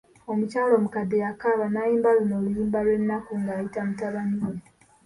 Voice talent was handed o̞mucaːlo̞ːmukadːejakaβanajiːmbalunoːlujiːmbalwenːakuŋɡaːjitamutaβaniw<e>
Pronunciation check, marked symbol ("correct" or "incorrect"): correct